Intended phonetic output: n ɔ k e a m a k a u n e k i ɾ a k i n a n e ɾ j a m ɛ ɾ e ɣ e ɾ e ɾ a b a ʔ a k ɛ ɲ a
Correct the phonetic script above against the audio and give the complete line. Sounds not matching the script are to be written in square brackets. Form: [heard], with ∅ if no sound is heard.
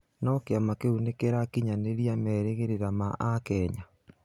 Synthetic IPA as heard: n ɔ k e a m a k [e] u n e k [e] ɾ a k i [ɲ] a n e ɾ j a m ɛ ɾ e ɣ e ɾ e ɾ a [m] a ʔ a k ɛ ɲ a